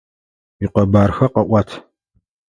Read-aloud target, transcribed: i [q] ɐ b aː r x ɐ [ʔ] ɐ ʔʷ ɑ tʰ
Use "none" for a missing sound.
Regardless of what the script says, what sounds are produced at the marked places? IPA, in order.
q, q

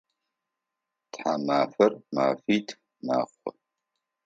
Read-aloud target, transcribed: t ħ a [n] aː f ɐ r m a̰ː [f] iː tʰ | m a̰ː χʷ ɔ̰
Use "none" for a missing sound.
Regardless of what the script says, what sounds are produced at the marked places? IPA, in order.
m, f

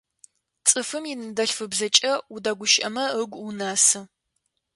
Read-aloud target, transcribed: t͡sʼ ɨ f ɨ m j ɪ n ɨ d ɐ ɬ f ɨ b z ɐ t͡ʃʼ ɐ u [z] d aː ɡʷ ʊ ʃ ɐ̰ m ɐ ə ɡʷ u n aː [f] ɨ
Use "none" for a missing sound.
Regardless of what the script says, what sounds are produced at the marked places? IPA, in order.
none, s

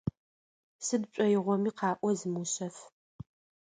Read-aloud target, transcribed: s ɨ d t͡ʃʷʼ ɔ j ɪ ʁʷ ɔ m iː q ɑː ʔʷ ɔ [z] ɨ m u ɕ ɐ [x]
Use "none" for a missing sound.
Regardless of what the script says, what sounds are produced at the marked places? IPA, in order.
z, f

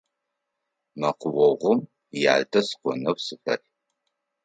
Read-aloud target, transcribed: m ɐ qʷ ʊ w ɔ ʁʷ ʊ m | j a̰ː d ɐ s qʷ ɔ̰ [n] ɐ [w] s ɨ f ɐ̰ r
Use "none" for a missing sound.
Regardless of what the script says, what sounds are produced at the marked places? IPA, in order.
n, w

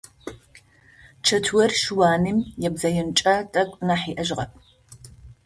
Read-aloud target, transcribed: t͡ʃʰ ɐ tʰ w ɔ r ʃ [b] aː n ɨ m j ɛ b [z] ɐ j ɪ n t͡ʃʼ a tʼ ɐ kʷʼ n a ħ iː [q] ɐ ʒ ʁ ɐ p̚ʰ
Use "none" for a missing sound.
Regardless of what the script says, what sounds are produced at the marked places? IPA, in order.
w, z, ʔ

